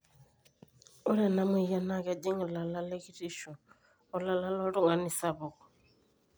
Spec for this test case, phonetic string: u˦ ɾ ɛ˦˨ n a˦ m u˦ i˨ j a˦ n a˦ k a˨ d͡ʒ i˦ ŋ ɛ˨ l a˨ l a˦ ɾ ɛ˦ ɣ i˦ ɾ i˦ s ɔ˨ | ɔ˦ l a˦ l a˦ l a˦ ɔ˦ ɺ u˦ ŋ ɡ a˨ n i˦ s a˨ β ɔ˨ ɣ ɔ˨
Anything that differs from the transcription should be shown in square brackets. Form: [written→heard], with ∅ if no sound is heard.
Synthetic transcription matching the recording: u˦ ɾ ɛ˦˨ n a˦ m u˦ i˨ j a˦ n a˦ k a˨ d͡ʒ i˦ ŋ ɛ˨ l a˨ l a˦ [ɾ→l] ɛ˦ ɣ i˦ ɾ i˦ [s→ʃ] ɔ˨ | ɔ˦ l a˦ l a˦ l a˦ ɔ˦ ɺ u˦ ŋ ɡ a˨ n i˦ s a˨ β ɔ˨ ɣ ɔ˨